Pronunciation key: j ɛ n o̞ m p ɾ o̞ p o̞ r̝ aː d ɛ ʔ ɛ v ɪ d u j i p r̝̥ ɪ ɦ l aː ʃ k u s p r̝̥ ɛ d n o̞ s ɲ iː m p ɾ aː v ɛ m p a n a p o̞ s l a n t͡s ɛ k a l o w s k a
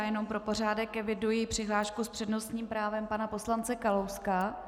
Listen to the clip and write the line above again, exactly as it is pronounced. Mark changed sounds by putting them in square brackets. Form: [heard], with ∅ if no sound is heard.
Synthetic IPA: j ɛ n o̞ m p ɾ o̞ p o̞ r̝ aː d ɛ [k] ɛ v ɪ d u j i p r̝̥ ɪ ɦ l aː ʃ k u s p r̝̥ ɛ d n o̞ s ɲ iː m p ɾ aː v ɛ m p a n a p o̞ s l a n t͡s ɛ k a l o w s k a